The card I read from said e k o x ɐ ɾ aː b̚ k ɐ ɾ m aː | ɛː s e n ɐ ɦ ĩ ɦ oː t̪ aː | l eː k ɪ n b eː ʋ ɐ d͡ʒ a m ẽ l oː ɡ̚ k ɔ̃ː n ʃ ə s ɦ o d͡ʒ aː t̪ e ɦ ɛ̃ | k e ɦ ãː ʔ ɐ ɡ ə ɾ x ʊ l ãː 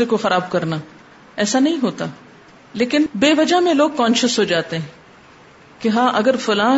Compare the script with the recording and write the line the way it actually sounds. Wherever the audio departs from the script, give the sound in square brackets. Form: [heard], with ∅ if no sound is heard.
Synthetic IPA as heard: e k o x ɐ ɾ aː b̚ k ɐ ɾ [n] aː | ɛː s [a] n ɐ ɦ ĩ ɦ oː t̪ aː | l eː k ɪ n b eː ʋ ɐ d͡ʒ a m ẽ l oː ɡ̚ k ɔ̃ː n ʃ ə s ɦ o d͡ʒ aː t̪ e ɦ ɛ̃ | k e ɦ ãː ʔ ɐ ɡ ə ɾ [f] ʊ l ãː